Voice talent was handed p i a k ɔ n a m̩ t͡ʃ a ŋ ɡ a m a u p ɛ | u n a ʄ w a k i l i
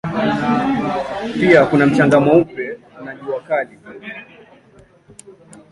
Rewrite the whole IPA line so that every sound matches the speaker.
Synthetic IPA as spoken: p i a k u n a m̩ t͡ʃ a ŋ ɡ a m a u p ɛ | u n a ʄ u a k a l i